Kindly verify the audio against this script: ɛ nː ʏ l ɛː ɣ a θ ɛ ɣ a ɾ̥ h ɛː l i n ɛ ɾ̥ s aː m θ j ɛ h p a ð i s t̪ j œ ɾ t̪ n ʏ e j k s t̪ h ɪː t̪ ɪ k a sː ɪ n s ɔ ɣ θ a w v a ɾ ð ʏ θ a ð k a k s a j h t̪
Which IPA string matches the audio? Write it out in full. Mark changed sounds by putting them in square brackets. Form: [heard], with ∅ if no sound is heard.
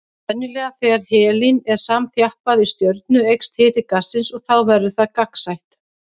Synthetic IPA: ɛ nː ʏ l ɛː ɣ a θ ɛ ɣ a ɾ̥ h ɛː l i n ɛ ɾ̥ s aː m θ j [a] h p a ð i s t̪ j œ ɾ t̪ n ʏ e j k s t̪ h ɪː t̪ ɪ k a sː ɪ n s ɔ ɣ θ a w v [ɛ] ɾ ð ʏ θ a ð k a k s a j h t̪